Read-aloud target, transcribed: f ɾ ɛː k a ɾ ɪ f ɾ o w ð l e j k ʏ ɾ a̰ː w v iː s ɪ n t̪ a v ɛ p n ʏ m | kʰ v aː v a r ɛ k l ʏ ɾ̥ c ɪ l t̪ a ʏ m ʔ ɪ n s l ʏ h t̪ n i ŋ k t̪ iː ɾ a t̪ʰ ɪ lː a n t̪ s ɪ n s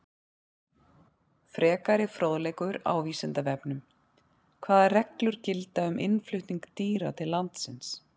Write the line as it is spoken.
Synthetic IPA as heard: f ɾ ɛː k a ɾ ɪ f ɾ o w ð l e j k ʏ ɾ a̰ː w v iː s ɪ n t̪ a v ɛ p n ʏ m | kʰ v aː ð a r ɛ k l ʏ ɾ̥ c ɪ l t̪ a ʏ m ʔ ɪ n f l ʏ h t̪ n i ŋ k t̪ iː ɾ a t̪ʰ ɪ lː a n t̪ s ɪ n s